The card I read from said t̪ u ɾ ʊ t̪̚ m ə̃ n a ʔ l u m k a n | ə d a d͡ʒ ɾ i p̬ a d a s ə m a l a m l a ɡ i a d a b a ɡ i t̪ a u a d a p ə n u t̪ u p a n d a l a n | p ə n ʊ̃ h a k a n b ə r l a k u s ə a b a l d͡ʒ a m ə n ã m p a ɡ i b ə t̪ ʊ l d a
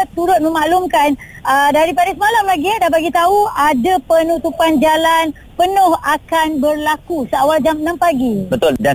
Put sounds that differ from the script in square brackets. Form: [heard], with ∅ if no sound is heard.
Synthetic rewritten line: t̪ u ɾ ʊ t̪̚ m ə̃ [m] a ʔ l u m k a n | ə d a [∅] ɾ i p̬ a d a s ə m a l a m l a ɡ i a d a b a ɡ i t̪ a u a d a p ə n u t̪ u p a n [d͡ʒ] a l a n | p ə n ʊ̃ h a k a n b ə r l a k u s ə a [w] a l d͡ʒ a m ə n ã m p a ɡ i b ə t̪ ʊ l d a